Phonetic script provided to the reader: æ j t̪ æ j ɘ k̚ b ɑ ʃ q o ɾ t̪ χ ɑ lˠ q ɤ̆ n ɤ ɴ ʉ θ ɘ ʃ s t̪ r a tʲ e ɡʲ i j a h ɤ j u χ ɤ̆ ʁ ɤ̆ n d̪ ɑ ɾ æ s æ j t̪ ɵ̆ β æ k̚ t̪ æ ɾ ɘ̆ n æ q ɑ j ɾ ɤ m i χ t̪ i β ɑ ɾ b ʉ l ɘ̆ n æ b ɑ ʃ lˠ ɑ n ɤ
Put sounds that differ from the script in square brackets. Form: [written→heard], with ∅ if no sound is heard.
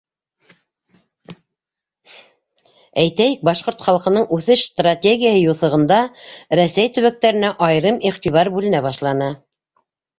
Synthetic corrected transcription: æ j t̪ æ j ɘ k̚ b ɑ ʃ q o ɾ t̪ χ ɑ lˠ q ɤ̆ n ɤ ɴ ʉ θ ɘ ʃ s t̪ r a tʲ e ɡʲ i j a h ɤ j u [χ→θ] ɤ̆ ʁ ɤ̆ n d̪ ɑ ɾ æ s æ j t̪ ɵ̆ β æ k̚ t̪ æ ɾ ɘ̆ n æ [q→ʔ] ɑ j ɾ ɤ m i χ t̪ i β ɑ ɾ b ʉ l ɘ̆ n æ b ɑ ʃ lˠ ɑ n ɤ